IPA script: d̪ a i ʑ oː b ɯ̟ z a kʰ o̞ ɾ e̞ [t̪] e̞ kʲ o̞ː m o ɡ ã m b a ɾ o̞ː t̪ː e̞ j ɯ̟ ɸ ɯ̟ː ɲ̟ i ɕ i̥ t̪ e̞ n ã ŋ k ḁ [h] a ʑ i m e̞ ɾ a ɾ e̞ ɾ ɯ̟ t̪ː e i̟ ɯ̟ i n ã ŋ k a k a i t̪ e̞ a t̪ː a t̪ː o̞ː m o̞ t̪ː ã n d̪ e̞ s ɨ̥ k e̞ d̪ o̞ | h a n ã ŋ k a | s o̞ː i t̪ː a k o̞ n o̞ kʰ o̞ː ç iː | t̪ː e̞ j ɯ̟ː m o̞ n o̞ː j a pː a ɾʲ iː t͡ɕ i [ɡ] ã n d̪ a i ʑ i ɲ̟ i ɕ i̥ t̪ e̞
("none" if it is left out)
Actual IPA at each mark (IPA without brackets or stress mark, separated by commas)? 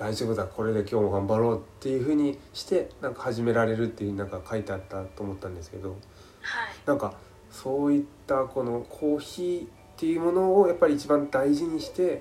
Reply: d̪, h, b